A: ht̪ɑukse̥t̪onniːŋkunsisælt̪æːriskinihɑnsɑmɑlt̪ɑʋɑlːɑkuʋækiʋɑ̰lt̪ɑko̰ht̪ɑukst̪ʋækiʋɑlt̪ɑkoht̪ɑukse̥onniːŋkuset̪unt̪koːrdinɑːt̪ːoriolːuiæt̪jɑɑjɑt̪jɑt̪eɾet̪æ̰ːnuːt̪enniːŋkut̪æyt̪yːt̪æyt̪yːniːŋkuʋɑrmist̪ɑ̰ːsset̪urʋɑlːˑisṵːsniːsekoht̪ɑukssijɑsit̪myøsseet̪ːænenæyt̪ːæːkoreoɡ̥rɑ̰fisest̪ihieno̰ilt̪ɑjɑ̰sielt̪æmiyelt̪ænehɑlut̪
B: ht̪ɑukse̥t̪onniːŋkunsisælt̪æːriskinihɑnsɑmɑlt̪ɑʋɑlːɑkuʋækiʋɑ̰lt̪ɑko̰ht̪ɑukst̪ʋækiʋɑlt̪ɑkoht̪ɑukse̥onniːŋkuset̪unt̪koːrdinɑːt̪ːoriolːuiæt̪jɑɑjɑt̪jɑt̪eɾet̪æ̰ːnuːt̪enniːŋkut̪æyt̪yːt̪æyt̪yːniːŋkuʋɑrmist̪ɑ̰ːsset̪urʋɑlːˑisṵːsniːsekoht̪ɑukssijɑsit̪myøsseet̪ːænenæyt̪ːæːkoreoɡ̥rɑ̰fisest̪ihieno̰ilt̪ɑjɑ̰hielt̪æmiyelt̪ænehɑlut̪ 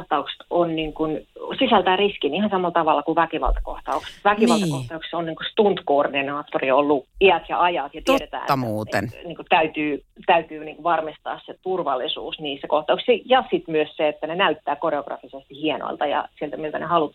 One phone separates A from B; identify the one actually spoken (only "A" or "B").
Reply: A